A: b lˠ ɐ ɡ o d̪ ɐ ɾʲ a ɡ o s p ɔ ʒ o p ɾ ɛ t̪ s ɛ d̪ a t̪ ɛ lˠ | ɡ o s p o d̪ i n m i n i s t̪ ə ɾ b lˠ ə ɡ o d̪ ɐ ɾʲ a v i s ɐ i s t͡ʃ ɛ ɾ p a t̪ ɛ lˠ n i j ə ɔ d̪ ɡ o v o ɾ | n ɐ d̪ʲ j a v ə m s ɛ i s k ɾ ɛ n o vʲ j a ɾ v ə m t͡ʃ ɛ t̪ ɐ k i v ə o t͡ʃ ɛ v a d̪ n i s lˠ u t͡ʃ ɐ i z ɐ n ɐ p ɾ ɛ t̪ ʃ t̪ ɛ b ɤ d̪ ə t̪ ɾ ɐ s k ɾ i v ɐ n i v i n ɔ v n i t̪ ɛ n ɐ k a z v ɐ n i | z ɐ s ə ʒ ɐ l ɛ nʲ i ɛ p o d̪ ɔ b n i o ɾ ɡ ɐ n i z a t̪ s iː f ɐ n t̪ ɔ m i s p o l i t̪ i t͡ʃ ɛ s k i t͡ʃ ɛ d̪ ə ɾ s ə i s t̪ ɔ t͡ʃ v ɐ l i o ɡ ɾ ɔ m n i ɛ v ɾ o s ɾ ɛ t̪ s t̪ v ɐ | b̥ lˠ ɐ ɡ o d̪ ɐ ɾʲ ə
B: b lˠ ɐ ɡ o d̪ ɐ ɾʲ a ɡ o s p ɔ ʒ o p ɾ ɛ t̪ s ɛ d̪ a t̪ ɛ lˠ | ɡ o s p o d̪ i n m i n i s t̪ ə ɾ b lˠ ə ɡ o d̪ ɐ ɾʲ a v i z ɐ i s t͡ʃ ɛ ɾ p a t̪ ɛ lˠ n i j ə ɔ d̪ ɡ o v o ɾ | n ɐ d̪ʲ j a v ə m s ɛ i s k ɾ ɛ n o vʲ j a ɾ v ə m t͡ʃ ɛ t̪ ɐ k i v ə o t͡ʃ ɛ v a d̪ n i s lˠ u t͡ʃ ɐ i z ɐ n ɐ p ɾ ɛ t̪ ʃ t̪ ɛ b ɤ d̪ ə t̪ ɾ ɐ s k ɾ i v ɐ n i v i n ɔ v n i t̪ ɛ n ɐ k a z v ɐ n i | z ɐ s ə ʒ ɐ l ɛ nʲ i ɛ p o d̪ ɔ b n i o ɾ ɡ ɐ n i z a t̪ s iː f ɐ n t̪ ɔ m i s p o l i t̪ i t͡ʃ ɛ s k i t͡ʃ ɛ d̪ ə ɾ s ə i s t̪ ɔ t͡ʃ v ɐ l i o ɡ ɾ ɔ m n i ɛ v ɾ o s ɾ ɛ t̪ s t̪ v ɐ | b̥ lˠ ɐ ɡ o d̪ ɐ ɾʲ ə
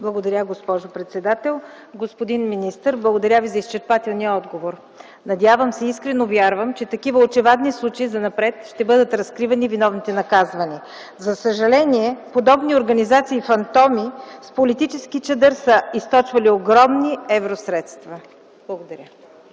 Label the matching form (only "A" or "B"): B